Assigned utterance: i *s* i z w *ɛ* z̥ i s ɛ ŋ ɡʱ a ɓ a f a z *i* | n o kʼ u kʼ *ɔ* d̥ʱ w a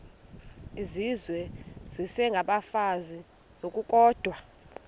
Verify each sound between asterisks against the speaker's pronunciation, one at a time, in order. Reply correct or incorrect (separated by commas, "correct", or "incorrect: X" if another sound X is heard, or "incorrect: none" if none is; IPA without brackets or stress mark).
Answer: incorrect: z, correct, correct, incorrect: ɔː